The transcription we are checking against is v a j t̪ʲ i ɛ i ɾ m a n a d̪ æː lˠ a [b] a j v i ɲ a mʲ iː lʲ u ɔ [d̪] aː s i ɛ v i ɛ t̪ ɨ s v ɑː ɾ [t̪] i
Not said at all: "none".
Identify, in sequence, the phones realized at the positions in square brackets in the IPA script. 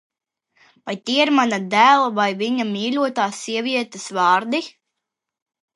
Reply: v, t̪, d̪

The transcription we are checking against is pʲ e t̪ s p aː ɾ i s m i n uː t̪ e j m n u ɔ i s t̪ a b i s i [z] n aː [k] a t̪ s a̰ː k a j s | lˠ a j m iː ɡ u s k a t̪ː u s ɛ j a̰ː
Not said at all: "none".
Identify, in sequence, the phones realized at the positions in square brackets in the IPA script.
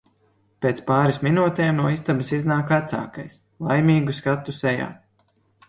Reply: z, k

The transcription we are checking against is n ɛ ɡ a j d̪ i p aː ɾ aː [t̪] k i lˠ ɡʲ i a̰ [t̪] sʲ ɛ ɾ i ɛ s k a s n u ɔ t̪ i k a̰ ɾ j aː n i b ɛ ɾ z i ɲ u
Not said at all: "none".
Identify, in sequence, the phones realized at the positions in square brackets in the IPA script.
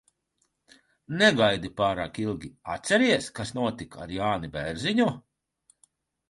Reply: none, t̪

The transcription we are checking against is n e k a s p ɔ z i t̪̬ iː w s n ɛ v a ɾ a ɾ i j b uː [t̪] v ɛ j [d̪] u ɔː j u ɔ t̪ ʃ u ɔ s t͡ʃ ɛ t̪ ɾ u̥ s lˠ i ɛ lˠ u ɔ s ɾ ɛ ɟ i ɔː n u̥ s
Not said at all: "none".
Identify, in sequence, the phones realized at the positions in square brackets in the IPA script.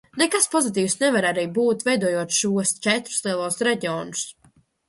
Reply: t̪, d̪

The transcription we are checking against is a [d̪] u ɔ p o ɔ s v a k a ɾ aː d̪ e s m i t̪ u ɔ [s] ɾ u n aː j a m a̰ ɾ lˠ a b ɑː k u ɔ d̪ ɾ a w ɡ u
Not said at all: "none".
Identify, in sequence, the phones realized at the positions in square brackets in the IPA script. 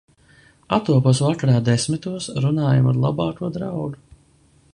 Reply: t̪, s

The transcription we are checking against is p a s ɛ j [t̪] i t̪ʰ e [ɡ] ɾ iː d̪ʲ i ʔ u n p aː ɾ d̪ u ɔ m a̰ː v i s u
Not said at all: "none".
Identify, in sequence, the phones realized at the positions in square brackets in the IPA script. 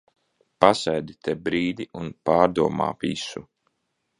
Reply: d̪, b

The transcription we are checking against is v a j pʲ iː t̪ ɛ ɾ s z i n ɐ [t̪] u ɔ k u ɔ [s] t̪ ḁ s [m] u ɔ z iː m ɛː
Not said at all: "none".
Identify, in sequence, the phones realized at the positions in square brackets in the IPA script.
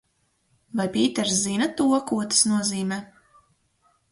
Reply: t̪, none, n

